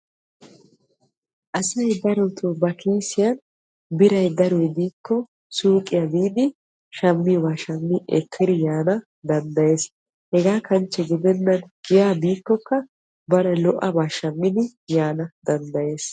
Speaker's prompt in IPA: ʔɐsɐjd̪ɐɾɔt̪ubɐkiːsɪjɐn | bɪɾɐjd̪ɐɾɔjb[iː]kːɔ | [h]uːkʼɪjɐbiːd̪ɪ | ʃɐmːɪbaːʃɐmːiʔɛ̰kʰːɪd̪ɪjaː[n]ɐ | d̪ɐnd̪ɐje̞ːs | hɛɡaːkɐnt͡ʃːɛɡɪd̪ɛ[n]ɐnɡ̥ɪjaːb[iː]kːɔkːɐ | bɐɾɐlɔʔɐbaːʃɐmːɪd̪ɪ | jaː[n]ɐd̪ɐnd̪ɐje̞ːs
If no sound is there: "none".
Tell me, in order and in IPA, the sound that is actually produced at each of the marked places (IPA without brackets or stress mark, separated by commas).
iː, s, n, nː, iː, n